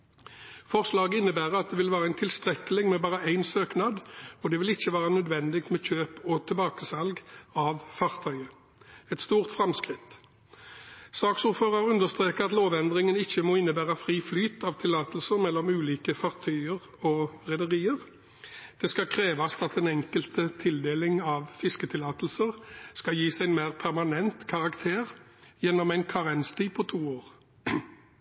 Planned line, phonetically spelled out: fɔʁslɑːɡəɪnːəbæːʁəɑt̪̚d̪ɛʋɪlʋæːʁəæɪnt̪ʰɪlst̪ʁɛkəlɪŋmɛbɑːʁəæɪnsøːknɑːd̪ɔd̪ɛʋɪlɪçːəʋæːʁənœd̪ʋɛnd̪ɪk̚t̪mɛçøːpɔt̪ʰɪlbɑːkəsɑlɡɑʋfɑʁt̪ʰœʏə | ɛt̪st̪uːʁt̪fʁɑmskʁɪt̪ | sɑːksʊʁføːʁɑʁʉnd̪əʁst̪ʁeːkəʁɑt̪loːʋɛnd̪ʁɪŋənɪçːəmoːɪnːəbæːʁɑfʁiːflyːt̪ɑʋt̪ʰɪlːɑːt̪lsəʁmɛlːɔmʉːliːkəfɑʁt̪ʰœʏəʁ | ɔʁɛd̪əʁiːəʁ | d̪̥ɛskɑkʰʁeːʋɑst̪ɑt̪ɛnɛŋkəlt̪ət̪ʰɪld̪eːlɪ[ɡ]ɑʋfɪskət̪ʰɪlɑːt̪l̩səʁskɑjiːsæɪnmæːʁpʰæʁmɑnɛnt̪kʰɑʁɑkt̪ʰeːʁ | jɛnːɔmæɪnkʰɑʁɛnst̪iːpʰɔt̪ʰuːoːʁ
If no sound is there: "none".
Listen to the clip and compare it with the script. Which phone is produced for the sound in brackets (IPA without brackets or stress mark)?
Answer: ŋ